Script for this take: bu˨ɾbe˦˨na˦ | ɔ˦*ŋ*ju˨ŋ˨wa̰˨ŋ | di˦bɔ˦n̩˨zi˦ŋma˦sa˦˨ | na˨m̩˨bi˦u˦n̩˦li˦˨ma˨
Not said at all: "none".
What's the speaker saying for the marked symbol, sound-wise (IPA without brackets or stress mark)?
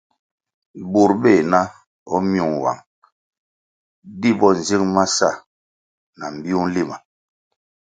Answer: m